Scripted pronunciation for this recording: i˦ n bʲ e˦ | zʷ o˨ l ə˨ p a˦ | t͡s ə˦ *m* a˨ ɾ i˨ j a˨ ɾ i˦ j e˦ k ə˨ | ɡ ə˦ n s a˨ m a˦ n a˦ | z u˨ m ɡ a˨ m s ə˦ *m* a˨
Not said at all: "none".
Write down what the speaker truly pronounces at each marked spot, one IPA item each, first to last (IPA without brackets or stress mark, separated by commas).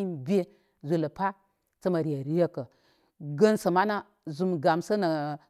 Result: m, n